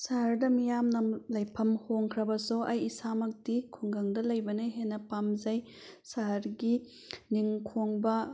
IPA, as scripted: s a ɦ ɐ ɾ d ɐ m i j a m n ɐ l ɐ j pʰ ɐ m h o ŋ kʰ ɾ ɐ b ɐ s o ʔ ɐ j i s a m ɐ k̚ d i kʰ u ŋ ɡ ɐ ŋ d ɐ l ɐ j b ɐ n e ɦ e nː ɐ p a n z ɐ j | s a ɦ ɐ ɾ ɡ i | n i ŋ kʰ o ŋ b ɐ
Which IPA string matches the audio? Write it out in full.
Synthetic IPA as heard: s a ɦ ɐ ɾ d ɐ m i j a m n ɐ l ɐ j pʰ ɐ m h o ŋ kʰ ɾ ɐ b ɐ s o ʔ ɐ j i s a m ɐ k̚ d i kʰ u ŋ ɡ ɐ ŋ d ɐ l ɐ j b ɐ n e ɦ e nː ɐ p a m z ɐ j | s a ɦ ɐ ɾ ɡ i | n i ŋ kʰ o ŋ b ɐ